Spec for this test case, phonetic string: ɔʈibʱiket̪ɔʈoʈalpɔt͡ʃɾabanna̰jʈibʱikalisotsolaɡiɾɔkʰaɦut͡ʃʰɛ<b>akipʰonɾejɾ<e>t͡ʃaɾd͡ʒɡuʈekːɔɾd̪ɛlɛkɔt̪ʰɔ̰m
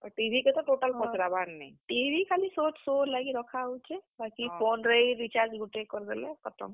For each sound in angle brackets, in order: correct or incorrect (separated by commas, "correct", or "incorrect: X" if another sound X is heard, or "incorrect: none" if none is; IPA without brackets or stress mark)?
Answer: correct, incorrect: i